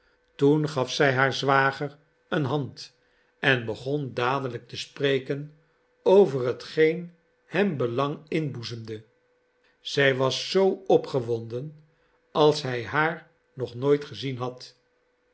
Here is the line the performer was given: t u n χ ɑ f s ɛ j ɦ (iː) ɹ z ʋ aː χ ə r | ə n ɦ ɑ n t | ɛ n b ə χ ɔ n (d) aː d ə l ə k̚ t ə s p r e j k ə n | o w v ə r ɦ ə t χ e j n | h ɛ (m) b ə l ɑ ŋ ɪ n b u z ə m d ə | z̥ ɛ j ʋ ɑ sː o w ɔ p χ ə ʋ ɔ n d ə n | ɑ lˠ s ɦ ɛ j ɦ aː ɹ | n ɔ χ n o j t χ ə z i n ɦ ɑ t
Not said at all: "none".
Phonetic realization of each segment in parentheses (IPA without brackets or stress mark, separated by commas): aː, d, m